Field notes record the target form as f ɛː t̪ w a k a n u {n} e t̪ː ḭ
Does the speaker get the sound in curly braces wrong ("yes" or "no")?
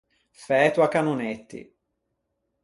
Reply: no